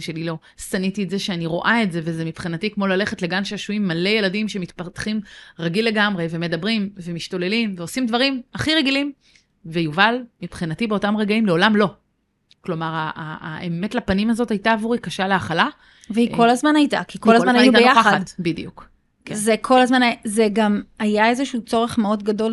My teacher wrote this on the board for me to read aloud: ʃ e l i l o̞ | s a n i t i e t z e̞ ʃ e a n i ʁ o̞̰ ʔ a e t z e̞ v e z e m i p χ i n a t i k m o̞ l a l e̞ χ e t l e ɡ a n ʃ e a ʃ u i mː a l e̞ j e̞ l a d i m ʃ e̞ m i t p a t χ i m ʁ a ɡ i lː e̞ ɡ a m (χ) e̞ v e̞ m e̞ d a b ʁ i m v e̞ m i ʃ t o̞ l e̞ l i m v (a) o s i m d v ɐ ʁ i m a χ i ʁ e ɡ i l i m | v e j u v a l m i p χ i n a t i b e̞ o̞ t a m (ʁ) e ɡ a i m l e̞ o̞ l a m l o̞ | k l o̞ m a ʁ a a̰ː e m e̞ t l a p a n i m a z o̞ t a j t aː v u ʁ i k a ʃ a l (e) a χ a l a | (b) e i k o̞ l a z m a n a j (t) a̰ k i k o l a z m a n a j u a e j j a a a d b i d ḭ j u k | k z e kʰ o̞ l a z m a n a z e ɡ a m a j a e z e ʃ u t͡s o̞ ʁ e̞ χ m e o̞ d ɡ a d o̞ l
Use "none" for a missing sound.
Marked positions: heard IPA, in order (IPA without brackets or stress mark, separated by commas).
ʁ, e, ʁ, e, v, t